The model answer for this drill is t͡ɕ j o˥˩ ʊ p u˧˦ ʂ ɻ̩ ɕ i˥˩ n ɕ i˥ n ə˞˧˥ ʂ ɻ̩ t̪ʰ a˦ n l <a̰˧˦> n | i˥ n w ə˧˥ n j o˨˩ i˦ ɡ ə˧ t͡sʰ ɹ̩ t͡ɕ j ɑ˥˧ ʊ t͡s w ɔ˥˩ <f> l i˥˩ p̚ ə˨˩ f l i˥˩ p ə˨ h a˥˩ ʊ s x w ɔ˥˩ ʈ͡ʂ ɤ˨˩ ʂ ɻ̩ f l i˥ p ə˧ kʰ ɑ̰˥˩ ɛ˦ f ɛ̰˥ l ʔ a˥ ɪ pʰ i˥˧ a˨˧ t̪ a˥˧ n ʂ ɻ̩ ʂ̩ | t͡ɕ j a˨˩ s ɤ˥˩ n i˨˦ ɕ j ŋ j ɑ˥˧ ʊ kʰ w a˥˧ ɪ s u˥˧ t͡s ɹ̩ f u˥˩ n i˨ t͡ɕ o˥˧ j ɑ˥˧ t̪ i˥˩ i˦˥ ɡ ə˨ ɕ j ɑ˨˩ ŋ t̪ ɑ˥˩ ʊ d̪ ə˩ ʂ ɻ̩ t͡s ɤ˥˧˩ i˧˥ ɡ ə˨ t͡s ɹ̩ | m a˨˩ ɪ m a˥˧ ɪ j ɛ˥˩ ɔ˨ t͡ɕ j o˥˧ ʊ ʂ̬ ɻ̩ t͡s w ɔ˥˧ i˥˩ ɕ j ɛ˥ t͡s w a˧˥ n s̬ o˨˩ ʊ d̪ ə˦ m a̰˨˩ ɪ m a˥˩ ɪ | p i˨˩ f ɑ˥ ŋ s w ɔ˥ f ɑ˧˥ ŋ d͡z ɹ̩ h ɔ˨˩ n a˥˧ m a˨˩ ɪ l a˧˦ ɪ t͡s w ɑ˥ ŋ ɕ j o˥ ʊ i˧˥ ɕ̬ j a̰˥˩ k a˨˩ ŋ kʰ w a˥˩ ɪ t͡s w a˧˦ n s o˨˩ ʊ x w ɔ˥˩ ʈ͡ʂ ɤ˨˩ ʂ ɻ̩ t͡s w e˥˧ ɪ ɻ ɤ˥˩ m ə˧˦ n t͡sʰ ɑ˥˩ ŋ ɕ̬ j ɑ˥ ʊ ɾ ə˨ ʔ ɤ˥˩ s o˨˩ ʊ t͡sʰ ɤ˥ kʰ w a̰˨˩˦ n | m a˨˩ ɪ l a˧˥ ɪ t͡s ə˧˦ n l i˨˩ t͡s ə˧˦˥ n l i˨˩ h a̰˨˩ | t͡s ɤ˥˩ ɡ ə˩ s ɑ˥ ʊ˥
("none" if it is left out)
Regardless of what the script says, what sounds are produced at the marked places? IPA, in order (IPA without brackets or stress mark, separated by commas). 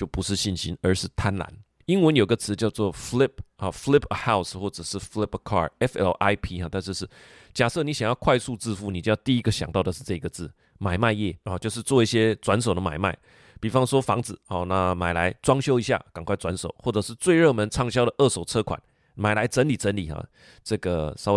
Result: a̰˧˦, f